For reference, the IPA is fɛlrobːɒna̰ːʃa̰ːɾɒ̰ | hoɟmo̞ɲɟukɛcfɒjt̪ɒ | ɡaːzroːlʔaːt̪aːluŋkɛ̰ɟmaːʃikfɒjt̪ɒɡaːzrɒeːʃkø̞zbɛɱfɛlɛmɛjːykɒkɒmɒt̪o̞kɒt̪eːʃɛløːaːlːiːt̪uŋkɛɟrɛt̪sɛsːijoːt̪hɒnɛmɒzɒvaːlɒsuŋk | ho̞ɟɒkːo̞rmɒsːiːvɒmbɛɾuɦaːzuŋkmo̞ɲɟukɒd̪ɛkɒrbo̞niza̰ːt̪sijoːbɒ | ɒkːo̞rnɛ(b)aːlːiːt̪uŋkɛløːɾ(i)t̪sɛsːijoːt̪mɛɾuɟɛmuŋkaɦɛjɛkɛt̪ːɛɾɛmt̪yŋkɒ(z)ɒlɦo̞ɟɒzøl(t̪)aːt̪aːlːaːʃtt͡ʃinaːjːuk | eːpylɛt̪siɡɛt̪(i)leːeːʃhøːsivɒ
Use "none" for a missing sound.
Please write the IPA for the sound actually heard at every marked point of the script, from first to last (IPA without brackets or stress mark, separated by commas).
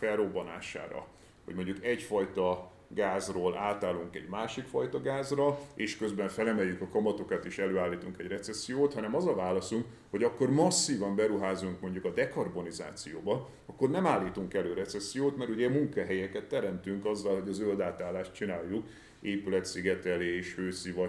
m, ɛ, zː, d̪, ɛ